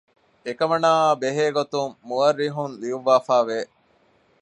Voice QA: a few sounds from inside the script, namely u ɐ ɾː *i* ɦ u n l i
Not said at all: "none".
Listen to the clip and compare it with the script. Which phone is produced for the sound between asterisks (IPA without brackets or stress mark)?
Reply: i